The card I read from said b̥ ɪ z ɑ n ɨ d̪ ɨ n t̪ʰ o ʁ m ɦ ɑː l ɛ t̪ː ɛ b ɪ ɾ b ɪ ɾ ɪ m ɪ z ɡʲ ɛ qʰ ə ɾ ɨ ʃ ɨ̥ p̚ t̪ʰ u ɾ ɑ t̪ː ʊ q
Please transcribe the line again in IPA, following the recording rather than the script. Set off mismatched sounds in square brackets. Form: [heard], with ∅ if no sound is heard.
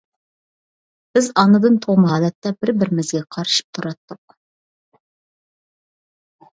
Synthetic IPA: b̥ ɪ z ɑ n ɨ d̪ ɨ n t̪ʰ o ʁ m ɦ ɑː l ɛ t̪ː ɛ b ɪ ɾ b ɪ ɾ ɪ m ɪ z ɡʲ ɛ qʰ [ɑ] ɾ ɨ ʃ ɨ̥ p̚ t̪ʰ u ɾ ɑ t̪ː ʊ q

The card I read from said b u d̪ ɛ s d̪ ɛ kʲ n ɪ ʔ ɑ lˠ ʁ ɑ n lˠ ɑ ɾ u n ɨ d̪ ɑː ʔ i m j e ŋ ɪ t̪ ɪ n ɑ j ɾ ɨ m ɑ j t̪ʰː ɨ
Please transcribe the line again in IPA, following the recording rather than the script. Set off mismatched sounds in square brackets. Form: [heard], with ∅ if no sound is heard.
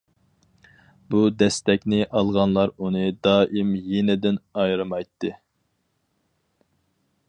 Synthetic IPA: b u d̪ ɛ s [t̪] ɛ kʲ n ɪ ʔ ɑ lˠ ʁ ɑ n lˠ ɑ ɾ u n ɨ d̪ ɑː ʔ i m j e [n] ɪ [d̪] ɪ n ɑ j ɾ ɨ m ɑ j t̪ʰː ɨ

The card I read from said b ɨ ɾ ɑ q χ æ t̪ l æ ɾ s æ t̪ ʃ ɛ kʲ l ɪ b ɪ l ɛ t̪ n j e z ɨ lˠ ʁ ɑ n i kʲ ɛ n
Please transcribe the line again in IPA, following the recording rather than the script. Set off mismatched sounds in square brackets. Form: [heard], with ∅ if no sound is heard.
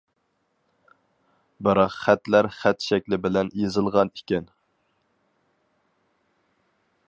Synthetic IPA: b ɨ ɾ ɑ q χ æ t̪ l æ ɾ [χ] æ t̪ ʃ ɛ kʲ l ɪ b ɪ l ɛ [∅] n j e z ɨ lˠ ʁ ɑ n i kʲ ɛ n

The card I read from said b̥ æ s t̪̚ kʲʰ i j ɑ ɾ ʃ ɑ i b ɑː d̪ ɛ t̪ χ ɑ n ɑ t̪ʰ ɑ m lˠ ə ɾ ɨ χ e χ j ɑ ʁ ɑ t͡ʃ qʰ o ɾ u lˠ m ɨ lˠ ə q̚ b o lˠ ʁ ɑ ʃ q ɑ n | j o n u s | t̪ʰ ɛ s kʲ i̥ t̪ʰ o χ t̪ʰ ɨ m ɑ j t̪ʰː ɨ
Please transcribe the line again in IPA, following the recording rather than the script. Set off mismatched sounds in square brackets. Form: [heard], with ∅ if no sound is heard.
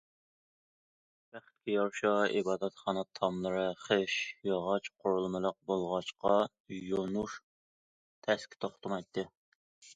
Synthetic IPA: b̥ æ [χ] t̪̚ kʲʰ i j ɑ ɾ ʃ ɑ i b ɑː d̪ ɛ t̪ χ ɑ n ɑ t̪ʰ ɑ m lˠ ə ɾ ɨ χ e [ʃ] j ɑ ʁ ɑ t͡ʃ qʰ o ɾ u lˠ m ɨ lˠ ə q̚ b o lˠ ʁ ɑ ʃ q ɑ [∅] | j o n u [ʃ] | t̪ʰ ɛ s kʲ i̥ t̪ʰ o χ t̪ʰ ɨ m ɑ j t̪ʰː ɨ

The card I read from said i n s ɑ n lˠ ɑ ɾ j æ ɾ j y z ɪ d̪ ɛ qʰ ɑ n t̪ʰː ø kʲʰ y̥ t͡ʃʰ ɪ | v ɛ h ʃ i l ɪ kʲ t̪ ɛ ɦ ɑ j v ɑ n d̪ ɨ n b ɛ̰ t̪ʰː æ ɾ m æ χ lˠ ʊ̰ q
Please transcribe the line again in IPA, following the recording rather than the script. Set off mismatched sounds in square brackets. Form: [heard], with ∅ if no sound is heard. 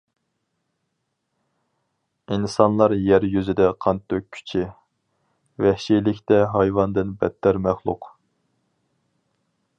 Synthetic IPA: i n s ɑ n lˠ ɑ ɾ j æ ɾ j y z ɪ d̪ ɛ qʰ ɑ n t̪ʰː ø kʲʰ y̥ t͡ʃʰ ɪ | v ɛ h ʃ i l ɪ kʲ t̪ ɛ ɦ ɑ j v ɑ n d̪ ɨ n b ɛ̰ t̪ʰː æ ɾ m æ χ lˠ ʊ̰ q

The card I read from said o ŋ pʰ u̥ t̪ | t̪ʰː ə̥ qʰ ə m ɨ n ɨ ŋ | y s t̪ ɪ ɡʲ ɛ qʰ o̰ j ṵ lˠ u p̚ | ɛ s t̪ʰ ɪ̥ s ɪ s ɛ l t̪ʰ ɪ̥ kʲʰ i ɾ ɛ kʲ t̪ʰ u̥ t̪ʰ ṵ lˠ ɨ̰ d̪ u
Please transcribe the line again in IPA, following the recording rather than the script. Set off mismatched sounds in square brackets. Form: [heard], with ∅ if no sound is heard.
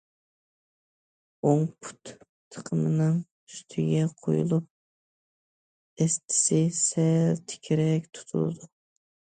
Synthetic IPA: o ŋ pʰ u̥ t̪ | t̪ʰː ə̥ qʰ ə m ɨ n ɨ ŋ | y s [t̪ʰ] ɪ ɡʲ ɛ qʰ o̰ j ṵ lˠ u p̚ | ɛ s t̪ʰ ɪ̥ s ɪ s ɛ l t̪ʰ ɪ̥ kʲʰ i ɾ ɛ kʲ t̪ʰ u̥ t̪ʰ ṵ lˠ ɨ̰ d̪ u

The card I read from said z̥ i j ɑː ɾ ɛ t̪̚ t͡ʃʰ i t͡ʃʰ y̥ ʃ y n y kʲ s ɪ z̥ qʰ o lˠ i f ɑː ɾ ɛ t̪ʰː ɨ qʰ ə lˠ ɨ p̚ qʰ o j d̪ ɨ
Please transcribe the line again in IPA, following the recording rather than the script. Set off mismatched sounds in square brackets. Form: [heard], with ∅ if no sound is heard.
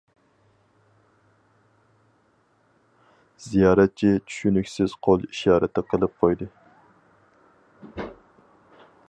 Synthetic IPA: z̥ i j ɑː ɾ ɛ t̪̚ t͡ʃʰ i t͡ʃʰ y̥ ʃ y n y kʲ s ɪ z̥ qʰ o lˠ i [ʃ] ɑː ɾ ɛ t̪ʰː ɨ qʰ ə lˠ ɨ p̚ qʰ o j d̪ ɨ

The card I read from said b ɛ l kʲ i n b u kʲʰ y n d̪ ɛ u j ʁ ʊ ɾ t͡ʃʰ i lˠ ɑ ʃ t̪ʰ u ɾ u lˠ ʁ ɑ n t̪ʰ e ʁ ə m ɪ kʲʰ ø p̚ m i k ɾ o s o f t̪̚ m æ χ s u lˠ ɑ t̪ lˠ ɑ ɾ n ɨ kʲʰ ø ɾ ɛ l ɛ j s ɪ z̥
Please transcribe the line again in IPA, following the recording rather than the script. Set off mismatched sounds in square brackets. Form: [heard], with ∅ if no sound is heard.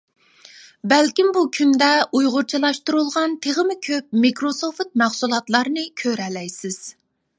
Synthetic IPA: b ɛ l kʲ i [m] b u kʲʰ y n d̪ ɛ u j ʁ ʊ ɾ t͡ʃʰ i lˠ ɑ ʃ [t̪] u ɾ u lˠ ʁ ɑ n t̪ʰ e ʁ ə m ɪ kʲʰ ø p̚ m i k ɾ o s o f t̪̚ m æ χ s u lˠ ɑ t̪ lˠ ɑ ɾ n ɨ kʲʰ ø ɾ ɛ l ɛ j s ɪ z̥

